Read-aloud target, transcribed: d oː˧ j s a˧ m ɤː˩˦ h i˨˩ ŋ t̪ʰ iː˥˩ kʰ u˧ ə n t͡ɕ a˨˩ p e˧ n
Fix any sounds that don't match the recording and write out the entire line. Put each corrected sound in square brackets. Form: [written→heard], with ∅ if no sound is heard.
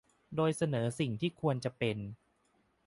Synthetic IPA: d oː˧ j s a˧ [m→n] ɤː˩˦ [h→s] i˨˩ ŋ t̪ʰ iː˥˩ kʰ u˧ ə n t͡ɕ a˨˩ p e˧ n